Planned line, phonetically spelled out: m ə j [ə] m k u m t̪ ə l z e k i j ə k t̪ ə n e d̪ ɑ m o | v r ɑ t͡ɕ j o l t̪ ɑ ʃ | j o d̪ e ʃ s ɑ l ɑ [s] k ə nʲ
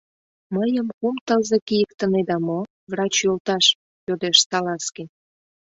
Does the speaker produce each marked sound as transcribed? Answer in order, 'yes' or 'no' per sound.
yes, yes

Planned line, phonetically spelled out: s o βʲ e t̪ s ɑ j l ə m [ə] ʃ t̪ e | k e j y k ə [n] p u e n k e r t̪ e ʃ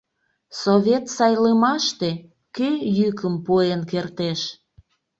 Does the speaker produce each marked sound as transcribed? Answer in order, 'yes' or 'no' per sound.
no, no

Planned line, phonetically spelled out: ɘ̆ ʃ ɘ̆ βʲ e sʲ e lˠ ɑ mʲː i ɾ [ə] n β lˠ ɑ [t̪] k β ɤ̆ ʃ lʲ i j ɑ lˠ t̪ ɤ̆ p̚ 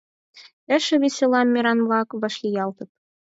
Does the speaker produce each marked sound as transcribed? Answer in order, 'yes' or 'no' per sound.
no, no

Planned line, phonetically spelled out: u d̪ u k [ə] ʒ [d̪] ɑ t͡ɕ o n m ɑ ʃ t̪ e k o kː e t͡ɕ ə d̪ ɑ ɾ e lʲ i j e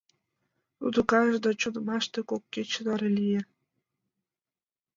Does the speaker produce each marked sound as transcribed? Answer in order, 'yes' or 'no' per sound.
no, yes

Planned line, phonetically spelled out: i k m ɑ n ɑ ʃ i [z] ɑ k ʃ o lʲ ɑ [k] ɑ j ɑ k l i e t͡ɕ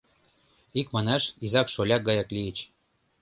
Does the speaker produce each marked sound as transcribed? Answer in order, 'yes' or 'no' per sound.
yes, no

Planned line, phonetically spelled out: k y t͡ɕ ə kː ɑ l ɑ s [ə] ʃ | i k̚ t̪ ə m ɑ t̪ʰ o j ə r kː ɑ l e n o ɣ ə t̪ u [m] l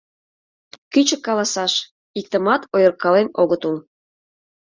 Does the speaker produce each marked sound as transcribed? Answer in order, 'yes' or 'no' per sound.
no, no

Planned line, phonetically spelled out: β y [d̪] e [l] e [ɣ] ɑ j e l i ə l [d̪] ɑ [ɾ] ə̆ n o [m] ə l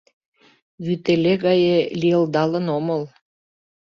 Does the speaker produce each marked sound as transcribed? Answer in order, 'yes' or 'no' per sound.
no, yes, yes, yes, no, yes

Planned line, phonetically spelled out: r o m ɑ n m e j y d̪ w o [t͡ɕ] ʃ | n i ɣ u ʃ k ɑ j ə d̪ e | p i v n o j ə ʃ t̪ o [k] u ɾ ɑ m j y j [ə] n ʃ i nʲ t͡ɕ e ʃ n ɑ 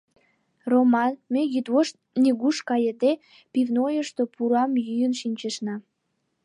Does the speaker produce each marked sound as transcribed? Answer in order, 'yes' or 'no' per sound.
no, no, yes

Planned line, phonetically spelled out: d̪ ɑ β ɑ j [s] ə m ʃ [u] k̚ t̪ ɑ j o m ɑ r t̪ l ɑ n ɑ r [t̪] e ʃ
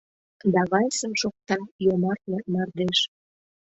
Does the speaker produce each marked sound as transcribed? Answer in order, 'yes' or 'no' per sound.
yes, no, no

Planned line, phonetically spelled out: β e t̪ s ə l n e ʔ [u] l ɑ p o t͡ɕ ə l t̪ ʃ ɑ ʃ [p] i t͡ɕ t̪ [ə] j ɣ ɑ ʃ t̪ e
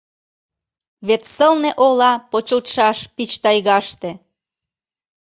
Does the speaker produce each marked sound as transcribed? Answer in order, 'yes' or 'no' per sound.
no, yes, no

